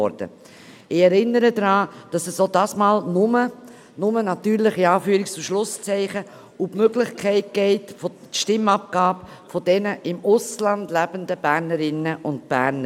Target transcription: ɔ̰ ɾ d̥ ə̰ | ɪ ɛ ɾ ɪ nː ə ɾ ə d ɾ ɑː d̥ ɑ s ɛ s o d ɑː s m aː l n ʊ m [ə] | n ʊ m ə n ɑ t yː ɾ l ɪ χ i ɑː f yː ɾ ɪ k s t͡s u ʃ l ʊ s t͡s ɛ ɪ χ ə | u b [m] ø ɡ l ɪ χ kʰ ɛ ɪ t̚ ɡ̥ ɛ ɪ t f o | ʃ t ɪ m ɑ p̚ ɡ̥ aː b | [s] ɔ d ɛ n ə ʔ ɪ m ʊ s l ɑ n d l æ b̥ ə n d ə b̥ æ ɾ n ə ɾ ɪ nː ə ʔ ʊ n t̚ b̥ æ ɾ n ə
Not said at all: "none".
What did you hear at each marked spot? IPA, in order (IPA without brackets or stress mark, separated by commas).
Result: ə, m, f